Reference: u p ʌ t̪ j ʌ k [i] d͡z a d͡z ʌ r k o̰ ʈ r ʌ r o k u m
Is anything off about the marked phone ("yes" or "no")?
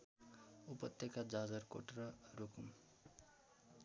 yes